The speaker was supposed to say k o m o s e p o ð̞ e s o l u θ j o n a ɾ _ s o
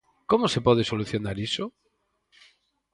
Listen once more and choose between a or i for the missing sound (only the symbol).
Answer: i